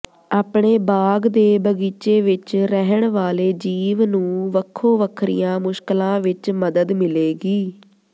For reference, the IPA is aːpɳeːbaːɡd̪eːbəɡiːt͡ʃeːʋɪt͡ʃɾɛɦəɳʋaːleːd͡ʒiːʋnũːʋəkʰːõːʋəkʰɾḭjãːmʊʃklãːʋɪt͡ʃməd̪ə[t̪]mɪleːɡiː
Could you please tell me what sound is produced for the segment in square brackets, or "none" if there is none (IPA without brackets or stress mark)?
d̪